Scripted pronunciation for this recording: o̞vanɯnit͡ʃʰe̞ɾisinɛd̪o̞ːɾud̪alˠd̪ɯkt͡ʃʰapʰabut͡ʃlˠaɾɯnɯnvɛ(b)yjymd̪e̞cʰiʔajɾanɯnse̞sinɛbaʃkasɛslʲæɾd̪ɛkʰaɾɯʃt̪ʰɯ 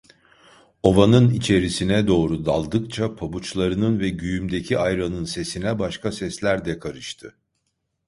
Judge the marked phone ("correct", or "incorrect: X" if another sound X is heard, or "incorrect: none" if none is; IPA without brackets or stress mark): incorrect: ɟ